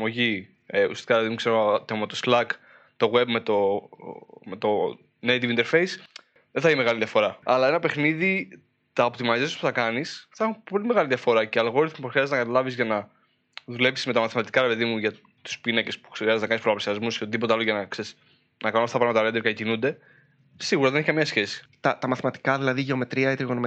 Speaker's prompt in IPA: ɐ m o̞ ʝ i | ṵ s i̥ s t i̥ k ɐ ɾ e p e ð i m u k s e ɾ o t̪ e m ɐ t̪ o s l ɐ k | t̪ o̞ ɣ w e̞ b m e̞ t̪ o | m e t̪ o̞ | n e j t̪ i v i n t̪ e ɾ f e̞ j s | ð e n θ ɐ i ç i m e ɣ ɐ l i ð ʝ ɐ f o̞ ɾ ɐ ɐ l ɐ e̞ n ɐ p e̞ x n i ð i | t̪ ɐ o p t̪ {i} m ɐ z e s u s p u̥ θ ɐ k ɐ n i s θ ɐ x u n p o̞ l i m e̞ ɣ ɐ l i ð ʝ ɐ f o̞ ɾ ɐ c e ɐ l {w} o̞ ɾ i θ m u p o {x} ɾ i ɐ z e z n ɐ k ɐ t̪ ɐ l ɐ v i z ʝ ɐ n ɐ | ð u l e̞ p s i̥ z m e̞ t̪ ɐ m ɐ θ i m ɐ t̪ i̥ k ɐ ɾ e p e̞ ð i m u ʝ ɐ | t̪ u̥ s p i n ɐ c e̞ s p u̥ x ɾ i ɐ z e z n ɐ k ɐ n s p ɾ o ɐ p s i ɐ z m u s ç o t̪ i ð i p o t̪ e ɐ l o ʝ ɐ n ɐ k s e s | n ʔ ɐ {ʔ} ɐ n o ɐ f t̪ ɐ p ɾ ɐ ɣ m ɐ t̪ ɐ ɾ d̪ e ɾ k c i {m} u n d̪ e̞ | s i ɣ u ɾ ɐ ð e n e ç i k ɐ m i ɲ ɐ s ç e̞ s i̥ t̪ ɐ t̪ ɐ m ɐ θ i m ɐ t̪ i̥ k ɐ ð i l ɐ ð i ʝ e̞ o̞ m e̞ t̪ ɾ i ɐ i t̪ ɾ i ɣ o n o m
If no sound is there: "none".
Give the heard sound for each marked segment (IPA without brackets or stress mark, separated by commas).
i, ɣ, x, k, n